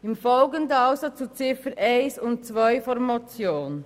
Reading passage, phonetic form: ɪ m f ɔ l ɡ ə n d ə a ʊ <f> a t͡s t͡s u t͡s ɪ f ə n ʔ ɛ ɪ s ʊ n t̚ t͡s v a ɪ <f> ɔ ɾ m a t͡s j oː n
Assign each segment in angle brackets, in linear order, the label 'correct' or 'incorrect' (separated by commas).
incorrect, correct